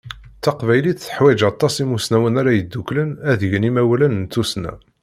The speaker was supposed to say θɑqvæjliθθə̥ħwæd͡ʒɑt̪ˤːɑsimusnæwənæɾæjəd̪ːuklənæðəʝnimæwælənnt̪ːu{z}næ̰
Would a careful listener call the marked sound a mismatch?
yes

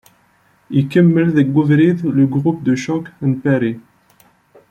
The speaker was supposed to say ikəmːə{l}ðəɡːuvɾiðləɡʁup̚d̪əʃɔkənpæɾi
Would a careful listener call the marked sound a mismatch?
no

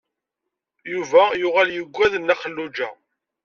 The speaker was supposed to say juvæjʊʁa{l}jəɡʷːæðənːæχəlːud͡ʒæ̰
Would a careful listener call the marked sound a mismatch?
no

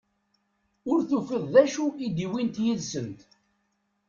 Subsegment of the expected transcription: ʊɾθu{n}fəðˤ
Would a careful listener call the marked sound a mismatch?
yes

